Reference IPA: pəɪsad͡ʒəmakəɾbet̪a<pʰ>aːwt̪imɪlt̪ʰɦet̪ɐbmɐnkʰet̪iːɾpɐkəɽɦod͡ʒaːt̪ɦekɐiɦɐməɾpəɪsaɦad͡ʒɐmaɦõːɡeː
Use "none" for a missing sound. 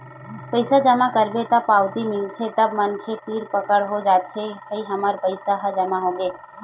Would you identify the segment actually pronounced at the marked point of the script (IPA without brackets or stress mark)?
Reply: p